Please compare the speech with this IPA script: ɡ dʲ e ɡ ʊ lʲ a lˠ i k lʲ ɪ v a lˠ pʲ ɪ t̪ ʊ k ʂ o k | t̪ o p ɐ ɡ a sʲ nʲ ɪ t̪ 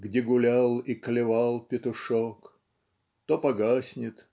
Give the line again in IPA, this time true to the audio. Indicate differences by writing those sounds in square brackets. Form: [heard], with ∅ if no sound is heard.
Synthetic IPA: ɡ dʲ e ɡ ʊ lʲ a lˠ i k lʲ ɪ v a lˠ pʲ ɪ t̪ ʊ [∅] ʂ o k | t̪ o p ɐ ɡ a sʲ nʲ ɪ t̪

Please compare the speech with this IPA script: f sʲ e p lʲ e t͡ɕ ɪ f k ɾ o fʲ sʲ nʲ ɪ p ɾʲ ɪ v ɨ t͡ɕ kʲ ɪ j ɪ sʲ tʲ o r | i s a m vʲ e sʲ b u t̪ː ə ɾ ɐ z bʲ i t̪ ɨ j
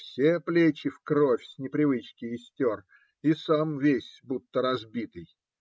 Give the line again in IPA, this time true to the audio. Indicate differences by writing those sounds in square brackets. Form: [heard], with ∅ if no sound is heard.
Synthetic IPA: f sʲ e p lʲ e t͡ɕ ɪ f k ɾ o fʲ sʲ nʲ ɪ p ɾʲ ɪ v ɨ t͡ɕ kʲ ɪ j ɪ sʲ tʲ o r | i s a m vʲ e sʲ b u t̪ː ə ɾ ɐ z bʲ i t̪ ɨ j

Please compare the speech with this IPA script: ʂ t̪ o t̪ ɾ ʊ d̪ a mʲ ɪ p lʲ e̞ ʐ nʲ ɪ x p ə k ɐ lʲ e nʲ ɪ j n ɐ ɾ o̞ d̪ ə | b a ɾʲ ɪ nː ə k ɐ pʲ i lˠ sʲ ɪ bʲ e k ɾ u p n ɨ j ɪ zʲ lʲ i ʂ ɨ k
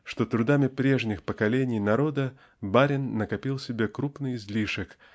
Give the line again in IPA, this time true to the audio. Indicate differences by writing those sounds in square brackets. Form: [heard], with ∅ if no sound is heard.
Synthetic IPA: ʂ t̪ o t̪ ɾ ʊ d̪ a mʲ ɪ p [ɾʲ] e̞ ʐ nʲ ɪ x p ə k ɐ lʲ e nʲ ɪ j n ɐ ɾ o̞ d̪ ə | b a ɾʲ ɪ nː ə k ɐ pʲ i lˠ sʲ ɪ bʲ e k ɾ u p n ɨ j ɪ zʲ lʲ i ʂ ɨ k

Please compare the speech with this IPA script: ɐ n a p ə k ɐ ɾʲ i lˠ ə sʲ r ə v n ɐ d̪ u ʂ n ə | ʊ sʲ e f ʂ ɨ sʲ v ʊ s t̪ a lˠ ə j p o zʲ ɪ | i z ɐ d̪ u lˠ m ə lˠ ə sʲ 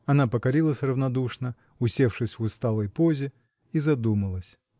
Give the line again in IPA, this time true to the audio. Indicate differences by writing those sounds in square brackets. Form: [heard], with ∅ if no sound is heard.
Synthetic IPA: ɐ n a p ə k ɐ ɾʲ i lˠ ə sʲ r ə v n ɐ d̪ u ʂ n ə | ʊ sʲ e f ʂ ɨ sʲ v ʊ s t̪ a lˠ ə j p o zʲ ɪ | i z ɐ d̪ u [∅] m ə lˠ ə sʲ

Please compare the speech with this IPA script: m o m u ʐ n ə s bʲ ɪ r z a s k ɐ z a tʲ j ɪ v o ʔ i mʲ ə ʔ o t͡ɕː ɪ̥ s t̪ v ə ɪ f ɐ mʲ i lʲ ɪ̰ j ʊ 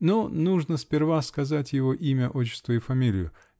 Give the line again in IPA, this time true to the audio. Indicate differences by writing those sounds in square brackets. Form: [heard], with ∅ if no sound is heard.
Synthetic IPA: [n] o [n] u ʐ n ə s [pʲ] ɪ r [v] a s k ɐ z a tʲ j ɪ v o ʔ i mʲ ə ʔ o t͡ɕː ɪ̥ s t̪ v ə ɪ f ɐ mʲ i lʲ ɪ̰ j ʊ

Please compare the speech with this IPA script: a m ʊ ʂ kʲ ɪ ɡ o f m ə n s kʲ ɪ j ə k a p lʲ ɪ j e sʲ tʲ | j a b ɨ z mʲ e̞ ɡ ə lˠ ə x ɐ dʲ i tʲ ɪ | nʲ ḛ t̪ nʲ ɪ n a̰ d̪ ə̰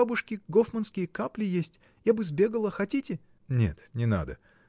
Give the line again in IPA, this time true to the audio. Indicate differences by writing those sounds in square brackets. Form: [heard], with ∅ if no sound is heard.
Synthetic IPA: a [b] ʊ ʂ kʲ ɪ ɡ o f m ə n s kʲ ɪ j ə k a p lʲ ɪ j e sʲ tʲ | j a b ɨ z [bʲ] e̞ ɡ ə lˠ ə x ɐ [tʲ] i tʲ ɪ | nʲ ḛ t̪ nʲ ɪ n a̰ d̪ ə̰

